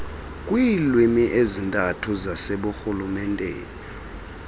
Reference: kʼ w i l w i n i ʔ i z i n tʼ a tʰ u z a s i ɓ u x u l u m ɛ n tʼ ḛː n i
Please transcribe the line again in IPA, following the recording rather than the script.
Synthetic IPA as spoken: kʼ w i l w i m i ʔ e z i n tʼ a tʰ u z a s e ɓ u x u l u m ɛ n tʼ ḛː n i